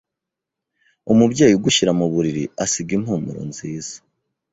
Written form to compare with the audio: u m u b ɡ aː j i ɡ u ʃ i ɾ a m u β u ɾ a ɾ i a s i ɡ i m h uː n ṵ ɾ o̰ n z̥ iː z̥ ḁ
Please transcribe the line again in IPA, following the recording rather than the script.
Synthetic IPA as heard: u m u b ɟ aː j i ɡ u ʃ i ɾ a m u β u ɾ i ɾ i a s i ɡ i m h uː m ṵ ɾ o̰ n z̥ iː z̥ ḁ